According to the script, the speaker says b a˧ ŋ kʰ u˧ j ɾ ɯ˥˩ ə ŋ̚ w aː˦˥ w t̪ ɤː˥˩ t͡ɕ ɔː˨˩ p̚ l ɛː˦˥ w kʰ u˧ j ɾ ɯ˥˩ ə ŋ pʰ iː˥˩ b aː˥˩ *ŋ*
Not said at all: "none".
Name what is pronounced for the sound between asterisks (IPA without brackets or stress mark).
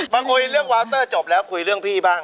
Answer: ŋ